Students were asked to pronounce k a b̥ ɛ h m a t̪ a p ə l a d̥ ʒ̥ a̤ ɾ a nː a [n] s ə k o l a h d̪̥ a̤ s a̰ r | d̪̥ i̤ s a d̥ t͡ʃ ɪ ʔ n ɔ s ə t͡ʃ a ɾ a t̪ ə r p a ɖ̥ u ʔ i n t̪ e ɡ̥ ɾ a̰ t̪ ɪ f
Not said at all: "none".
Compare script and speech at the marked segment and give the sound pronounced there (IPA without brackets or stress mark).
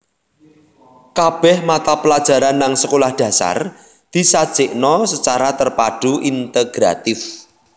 ŋ